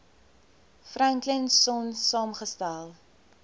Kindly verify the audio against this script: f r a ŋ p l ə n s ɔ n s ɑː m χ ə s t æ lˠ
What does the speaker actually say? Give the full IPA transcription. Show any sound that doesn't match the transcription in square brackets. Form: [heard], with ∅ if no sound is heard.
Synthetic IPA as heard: f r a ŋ [k] l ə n s ɔ n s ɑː m χ ə s t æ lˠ